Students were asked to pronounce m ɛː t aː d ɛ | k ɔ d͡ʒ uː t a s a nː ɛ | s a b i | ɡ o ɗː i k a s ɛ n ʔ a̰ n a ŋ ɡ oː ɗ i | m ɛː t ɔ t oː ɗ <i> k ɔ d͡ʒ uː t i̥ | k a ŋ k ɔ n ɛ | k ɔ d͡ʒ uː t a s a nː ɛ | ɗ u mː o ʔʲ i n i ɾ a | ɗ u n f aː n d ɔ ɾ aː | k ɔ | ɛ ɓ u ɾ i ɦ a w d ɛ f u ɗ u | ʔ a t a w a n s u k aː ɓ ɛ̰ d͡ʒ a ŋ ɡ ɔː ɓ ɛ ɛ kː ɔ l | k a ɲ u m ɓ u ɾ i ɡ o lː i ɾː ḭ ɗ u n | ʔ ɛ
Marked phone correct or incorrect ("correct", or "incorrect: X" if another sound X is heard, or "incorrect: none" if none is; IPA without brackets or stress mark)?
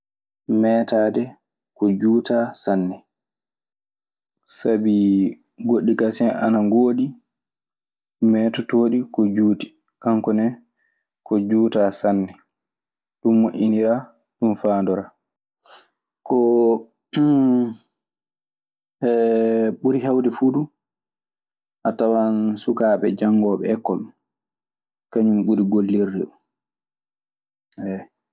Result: correct